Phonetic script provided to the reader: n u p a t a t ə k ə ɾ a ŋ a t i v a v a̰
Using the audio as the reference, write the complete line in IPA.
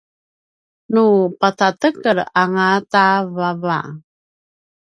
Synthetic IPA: n u p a t a t ə k ə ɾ a ŋ a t a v a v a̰